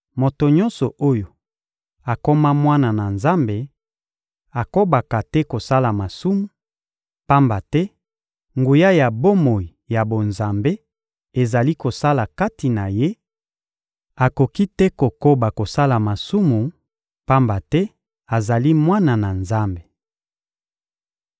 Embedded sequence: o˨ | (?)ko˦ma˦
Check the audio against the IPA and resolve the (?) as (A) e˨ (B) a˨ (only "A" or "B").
B